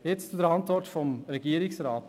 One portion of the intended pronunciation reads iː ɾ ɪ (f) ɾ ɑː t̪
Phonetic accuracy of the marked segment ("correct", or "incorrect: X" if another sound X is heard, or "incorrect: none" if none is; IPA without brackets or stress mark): incorrect: s